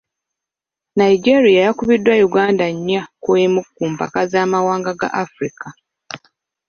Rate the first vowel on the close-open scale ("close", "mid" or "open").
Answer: open